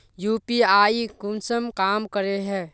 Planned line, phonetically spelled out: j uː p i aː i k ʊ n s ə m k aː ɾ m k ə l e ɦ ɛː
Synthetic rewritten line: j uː p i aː i k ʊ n s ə m k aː m k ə ɾ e ɦ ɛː